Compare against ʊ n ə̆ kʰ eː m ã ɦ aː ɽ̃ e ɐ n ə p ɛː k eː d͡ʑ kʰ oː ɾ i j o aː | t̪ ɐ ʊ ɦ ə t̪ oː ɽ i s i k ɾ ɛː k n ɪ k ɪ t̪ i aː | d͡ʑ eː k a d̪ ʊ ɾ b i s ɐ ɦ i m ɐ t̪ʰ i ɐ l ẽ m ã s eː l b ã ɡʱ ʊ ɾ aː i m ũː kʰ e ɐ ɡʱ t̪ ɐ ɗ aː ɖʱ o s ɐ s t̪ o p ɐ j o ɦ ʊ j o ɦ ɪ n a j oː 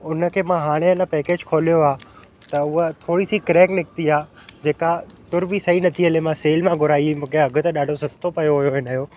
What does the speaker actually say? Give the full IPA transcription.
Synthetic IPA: ʊ n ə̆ kʰ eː m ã ɦ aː ɽ̃ e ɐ n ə p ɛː k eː d͡ʑ kʰ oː l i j o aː | t̪ ɐ ʊ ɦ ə t̪ʰ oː ɽ i s i k ɾ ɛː k n ɪ k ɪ t̪ i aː | d͡ʑ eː k a t̪ ʊ ɾ b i s ɐ ɦ i n ɐ t̪ʰ i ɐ l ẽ m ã s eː l m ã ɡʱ ʊ ɾ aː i m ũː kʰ e ɐ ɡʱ t̪ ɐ ɗ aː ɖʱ o s ɐ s t̪ o p ɐ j o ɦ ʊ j o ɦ ɪ n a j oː